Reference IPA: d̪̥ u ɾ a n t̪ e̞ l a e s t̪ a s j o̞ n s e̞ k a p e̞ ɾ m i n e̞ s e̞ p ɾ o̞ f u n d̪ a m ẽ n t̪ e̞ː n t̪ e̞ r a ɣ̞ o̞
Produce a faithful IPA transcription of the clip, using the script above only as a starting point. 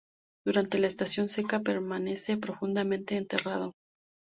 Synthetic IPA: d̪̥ u ɾ a n t̪ e̞ l a e s t̪ a s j o̞ n s e̞ k a p e̞ ɾ m a n e̞ s e̞ p ɾ o̞ f u n d̪ a m ẽ n t̪ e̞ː n t̪ e̞ r a ð̞ o̞